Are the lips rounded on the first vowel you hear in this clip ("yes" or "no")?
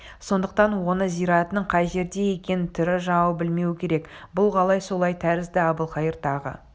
yes